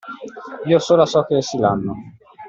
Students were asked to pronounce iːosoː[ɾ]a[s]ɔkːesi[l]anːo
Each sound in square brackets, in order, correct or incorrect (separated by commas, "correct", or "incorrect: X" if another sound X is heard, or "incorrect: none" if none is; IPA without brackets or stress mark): incorrect: l, correct, correct